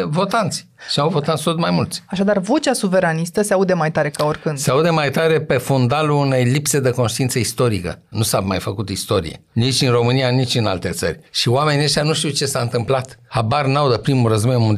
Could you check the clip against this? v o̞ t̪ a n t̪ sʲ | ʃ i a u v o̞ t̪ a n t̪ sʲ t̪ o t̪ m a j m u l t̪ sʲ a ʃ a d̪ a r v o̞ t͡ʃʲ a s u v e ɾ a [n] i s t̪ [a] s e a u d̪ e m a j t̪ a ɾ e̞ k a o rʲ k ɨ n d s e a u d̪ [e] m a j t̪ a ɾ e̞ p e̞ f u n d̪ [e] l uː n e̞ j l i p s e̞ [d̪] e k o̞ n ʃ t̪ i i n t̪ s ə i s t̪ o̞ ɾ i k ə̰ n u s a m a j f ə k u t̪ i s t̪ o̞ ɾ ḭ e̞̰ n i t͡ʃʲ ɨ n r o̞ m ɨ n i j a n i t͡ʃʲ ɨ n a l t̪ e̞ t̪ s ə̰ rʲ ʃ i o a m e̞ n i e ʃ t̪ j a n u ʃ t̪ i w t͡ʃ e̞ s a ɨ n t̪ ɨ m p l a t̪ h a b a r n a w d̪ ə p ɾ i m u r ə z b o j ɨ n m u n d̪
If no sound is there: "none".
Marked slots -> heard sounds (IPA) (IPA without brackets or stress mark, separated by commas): n, ə, e, a, d̪